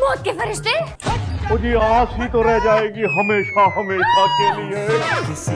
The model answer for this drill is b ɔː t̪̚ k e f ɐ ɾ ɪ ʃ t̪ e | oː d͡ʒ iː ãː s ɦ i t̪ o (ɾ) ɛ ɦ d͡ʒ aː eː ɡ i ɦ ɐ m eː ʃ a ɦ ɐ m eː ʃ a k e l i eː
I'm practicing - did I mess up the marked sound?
no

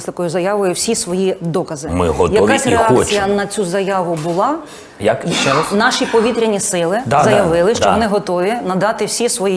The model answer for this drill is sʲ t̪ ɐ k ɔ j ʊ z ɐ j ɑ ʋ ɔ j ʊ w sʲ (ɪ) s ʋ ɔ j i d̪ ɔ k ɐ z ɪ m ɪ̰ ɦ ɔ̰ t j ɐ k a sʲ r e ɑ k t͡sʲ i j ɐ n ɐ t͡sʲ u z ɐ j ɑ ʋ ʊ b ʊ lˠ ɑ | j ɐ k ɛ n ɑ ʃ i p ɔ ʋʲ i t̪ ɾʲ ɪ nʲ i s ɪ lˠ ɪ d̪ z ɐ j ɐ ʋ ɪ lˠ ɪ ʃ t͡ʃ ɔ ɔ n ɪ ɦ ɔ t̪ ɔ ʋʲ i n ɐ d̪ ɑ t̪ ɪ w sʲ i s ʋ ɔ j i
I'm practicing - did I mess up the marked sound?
yes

